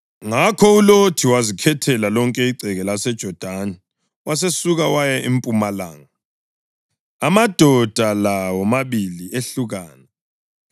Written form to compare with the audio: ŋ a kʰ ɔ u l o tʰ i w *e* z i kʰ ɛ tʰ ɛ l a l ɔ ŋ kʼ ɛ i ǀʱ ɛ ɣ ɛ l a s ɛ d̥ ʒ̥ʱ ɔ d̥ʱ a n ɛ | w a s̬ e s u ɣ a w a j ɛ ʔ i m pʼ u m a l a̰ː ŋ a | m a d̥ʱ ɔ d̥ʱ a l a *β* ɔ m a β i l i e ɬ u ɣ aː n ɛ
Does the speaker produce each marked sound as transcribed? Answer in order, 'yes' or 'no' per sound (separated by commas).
no, no